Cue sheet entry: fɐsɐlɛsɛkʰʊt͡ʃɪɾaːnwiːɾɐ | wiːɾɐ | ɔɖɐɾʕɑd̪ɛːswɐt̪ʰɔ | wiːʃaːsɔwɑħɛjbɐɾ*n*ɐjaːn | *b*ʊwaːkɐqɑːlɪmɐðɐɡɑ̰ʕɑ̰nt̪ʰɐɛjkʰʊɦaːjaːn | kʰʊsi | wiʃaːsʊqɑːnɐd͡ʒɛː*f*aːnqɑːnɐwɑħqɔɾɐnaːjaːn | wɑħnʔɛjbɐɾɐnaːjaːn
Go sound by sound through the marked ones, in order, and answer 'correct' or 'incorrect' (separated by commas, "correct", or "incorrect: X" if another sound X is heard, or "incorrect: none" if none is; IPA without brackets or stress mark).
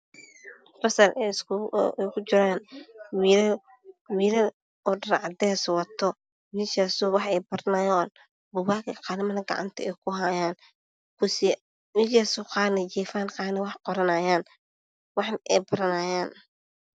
correct, correct, correct